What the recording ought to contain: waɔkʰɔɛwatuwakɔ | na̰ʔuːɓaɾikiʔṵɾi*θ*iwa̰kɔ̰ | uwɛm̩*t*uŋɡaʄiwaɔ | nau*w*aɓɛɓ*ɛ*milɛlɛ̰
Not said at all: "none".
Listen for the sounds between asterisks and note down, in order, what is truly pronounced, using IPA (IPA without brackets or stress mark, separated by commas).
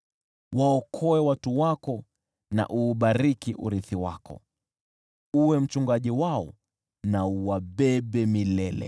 θ, t͡ʃ, w, ɛ